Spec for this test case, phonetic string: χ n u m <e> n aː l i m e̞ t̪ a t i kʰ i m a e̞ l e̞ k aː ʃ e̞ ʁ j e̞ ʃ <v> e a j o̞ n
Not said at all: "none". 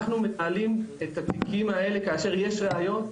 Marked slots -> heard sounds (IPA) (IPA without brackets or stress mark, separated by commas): e, ʁ